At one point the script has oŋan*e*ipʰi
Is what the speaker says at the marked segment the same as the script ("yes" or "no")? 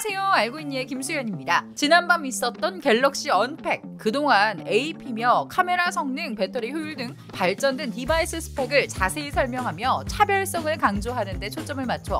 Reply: yes